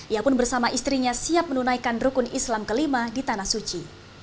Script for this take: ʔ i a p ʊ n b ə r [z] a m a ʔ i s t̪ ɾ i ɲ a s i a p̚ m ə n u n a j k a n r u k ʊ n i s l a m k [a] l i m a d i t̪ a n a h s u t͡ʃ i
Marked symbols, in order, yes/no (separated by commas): no, no